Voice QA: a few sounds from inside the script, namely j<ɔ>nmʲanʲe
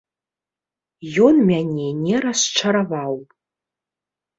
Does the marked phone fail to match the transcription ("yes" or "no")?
yes